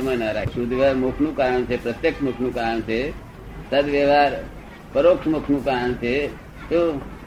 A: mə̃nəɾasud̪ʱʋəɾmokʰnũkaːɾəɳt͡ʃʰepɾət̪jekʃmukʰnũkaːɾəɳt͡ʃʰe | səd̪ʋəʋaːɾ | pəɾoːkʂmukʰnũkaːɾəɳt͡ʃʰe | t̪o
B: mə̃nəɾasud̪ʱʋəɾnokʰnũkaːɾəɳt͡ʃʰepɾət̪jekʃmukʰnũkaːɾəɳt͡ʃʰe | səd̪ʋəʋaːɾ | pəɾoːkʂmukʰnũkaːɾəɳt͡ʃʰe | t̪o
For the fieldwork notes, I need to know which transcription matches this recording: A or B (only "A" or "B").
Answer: A